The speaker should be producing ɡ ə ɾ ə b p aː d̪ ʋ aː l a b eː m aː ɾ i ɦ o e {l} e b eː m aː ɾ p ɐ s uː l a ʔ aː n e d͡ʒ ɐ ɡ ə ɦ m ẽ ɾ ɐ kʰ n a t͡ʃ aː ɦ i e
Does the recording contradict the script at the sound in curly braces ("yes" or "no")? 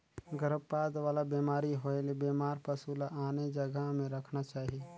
no